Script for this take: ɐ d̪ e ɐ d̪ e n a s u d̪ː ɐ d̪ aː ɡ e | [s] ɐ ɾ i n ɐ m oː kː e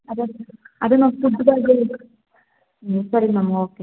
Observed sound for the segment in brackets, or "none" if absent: s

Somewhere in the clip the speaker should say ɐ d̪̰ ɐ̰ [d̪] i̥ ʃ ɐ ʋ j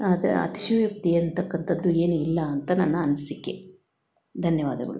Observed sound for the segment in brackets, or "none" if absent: t̪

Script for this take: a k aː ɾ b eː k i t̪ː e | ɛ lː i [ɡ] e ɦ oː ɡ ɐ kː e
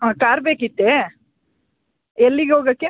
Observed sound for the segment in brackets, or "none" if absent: ɡ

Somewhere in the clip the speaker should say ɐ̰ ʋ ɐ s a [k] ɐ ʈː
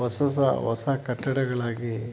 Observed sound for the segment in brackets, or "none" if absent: k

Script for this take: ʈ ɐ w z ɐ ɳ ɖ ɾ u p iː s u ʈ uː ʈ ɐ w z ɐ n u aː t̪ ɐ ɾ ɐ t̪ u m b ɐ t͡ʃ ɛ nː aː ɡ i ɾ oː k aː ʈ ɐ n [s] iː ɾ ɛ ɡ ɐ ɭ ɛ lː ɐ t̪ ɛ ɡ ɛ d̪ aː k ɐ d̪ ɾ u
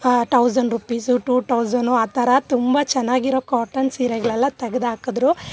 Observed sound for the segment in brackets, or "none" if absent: s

